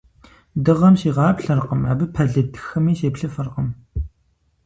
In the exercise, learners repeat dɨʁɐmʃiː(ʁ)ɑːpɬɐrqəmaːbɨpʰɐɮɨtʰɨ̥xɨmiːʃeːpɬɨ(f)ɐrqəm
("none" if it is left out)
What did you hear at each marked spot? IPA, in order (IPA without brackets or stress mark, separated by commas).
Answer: ʁ, f